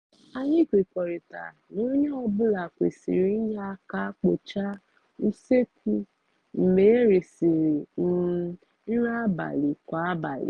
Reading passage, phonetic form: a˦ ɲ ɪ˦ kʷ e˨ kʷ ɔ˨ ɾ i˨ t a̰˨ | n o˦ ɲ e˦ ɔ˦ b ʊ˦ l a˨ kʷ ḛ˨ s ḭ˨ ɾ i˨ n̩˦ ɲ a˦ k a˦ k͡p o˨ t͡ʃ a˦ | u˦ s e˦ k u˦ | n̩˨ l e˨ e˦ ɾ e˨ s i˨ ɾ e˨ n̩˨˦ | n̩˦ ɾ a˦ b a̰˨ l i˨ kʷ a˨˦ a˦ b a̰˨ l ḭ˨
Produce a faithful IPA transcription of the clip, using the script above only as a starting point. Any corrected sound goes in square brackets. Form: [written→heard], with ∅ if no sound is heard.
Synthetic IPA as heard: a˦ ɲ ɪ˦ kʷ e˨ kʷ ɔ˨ ɾ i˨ t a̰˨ | n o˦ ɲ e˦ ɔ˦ b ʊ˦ l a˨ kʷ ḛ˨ s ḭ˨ ɾ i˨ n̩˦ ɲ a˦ k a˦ k͡p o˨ t͡ʃ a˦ | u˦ s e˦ k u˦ | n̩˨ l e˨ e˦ ɾ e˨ s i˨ ɾ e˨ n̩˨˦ | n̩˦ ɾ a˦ b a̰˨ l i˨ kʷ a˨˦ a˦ b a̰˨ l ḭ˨